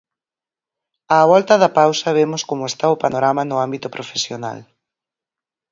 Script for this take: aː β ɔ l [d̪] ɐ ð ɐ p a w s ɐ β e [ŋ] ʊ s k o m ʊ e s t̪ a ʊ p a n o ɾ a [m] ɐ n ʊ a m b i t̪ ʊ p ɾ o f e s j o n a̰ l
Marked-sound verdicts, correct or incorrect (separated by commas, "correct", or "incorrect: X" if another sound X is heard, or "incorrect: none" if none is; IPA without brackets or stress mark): incorrect: t̪, incorrect: m, correct